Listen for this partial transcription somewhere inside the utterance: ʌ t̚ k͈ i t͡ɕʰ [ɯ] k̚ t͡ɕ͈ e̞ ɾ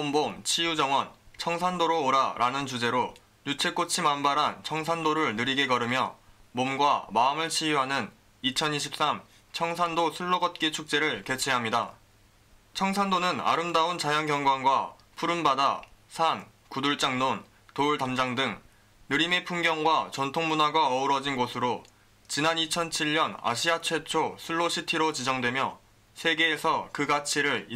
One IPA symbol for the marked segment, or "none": u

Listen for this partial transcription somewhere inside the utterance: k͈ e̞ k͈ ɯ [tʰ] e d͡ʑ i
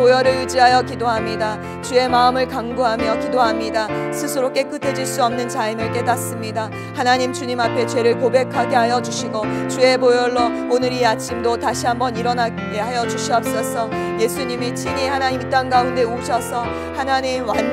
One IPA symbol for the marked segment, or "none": tʰ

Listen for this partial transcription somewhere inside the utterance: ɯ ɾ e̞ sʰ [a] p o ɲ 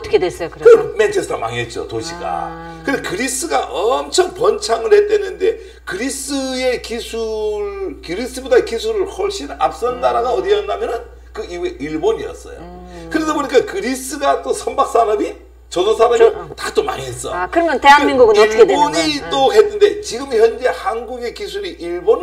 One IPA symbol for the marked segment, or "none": ʌ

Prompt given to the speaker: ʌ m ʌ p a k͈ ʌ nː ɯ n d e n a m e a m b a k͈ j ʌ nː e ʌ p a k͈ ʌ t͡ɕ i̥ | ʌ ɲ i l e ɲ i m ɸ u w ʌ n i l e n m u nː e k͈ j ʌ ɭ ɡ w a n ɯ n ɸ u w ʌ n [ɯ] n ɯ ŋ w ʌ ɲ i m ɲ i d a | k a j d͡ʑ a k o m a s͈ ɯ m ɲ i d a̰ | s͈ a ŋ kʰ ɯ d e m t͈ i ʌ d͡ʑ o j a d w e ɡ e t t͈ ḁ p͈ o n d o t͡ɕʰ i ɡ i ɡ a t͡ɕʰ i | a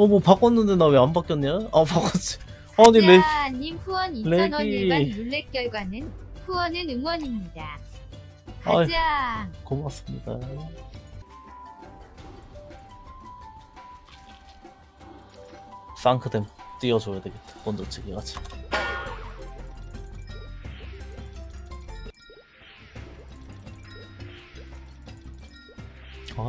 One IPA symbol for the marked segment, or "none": ɯ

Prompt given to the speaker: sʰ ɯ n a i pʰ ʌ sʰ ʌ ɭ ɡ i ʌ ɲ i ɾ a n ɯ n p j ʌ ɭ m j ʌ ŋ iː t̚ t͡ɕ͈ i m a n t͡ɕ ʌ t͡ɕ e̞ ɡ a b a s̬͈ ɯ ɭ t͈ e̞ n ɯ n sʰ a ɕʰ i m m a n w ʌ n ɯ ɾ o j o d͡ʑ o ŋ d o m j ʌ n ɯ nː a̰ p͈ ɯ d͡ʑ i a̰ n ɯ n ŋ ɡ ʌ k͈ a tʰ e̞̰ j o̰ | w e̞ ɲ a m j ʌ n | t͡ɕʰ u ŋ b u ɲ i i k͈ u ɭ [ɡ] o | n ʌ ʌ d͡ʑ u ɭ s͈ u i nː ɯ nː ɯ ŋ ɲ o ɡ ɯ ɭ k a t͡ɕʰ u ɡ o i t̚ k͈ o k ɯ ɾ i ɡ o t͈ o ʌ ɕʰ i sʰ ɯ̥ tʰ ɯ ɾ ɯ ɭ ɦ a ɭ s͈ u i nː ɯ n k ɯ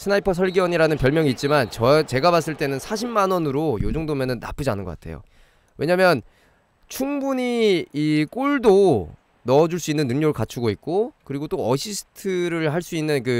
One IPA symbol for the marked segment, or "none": d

